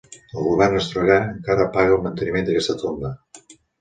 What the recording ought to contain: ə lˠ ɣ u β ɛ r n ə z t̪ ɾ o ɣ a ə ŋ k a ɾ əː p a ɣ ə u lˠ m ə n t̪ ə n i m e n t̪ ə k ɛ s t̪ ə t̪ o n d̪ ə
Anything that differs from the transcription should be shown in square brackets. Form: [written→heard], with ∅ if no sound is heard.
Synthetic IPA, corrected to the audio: ə lˠ ɣ u β ɛ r n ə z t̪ ɾ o ɣ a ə ŋ k a ɾ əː p a ɣ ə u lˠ m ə n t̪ ə n i m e n [t̪→d̪] ə k ɛ s t̪ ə t̪ o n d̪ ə